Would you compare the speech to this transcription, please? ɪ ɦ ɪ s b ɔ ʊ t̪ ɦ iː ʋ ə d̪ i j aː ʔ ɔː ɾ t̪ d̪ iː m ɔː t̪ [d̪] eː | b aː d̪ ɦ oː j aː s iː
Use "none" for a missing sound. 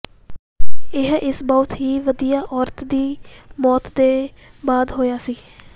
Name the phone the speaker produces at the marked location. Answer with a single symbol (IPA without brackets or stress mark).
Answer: d̪